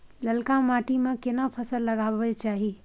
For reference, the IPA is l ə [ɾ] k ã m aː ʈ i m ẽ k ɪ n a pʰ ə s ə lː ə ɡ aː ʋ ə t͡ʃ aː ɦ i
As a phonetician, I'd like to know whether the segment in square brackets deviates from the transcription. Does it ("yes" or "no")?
yes